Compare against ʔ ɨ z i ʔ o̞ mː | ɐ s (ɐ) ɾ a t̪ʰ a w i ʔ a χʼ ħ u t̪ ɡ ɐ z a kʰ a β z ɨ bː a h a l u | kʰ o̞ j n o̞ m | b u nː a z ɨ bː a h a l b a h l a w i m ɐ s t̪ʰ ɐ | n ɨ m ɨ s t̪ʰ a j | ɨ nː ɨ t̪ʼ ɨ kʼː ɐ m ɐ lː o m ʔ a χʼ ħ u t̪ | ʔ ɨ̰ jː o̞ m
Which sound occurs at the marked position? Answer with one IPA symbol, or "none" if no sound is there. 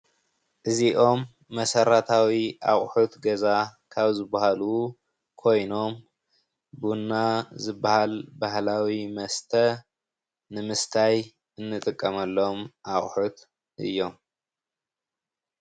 ɐ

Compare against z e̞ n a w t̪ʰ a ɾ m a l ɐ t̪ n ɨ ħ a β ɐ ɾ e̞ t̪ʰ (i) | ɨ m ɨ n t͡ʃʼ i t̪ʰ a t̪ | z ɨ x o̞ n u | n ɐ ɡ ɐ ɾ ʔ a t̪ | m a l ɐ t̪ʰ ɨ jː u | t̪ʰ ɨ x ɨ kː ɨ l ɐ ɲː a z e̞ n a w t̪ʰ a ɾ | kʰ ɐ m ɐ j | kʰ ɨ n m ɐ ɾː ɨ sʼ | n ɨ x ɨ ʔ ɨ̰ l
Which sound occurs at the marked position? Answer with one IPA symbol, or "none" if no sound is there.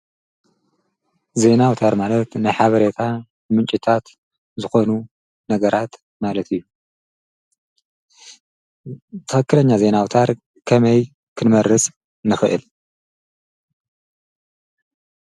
a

